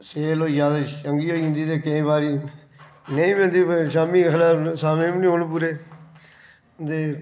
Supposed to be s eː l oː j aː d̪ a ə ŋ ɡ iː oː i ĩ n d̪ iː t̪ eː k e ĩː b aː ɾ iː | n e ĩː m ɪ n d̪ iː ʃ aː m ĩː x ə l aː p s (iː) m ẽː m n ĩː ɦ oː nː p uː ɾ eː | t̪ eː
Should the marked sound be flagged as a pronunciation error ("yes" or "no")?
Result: yes